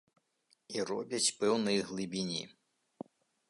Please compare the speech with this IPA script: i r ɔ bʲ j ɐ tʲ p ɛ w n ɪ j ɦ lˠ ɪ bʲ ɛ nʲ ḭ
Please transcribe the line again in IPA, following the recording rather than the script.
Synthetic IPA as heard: i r ɔ bʲ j ɐ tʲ p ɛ w n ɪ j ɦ lˠ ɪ bʲ i nʲ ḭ